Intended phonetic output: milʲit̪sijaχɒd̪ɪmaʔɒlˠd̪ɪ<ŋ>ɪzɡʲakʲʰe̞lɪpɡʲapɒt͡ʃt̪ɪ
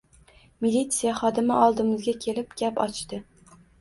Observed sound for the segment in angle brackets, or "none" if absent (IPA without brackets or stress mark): m